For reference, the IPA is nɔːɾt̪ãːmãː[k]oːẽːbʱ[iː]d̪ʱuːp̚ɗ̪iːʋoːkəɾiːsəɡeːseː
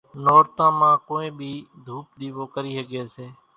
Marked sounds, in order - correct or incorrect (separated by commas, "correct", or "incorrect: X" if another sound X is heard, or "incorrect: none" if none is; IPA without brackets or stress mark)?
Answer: correct, correct